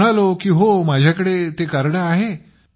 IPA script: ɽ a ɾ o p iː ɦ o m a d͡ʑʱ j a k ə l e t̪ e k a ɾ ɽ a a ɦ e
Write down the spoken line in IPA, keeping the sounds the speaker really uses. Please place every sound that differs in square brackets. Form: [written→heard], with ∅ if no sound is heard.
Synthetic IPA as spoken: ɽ a [ɾ→l] o [p→k] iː ɦ o m a d͡ʑʱ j a k ə [l→ɽ] e t̪ e k a ɾ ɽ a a ɦ e